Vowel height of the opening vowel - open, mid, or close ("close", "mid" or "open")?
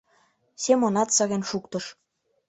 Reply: mid